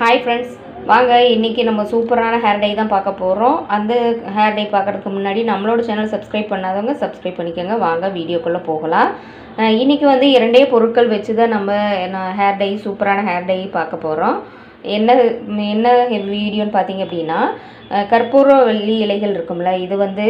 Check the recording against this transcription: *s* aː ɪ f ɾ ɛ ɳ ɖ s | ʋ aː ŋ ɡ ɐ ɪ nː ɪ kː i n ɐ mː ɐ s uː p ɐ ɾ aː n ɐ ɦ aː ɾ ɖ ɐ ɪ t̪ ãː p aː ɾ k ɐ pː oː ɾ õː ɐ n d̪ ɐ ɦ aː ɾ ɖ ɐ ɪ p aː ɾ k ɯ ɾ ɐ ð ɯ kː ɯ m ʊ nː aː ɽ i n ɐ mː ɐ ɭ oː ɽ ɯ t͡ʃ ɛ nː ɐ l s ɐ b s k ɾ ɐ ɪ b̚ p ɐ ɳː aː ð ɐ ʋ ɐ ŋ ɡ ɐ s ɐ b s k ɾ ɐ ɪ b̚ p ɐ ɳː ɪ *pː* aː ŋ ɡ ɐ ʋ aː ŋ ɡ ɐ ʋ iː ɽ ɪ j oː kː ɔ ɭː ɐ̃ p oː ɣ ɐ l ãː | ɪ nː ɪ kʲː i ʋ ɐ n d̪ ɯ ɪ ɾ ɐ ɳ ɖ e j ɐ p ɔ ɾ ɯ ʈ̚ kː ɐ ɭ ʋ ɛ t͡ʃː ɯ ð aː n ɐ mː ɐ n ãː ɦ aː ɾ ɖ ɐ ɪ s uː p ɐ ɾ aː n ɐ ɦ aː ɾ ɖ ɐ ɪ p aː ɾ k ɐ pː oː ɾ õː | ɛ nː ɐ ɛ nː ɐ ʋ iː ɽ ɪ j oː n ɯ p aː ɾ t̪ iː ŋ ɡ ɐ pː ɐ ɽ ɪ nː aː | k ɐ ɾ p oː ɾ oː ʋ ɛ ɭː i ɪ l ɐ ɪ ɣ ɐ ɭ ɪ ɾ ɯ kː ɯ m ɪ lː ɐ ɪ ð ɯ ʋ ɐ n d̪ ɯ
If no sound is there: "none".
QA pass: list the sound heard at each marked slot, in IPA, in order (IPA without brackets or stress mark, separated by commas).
h, kː